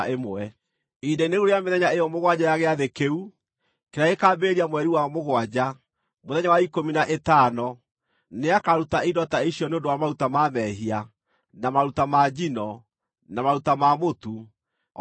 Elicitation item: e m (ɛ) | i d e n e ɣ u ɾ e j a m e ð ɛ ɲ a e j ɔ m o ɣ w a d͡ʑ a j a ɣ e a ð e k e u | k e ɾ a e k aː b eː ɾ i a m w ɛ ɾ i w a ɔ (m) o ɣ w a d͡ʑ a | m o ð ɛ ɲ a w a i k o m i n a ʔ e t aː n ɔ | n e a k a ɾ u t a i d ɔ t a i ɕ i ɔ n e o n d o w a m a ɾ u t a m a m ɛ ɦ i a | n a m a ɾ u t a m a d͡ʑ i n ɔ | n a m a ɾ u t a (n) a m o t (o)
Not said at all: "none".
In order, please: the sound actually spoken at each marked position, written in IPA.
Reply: ɛ, m, m, u

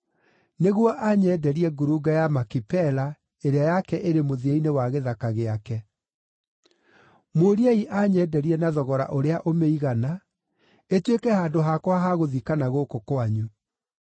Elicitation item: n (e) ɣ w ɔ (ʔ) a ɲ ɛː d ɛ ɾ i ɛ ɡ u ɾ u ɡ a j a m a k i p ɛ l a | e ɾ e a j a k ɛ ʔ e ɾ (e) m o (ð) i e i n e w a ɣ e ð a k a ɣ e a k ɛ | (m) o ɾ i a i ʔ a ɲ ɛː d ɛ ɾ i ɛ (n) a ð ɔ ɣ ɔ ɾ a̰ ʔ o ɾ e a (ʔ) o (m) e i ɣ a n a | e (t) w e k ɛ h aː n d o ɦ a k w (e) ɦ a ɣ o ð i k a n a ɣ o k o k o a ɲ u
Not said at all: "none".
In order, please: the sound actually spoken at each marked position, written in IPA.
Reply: e, ʔ, e, ð, m, n, ʔ, m, t, a

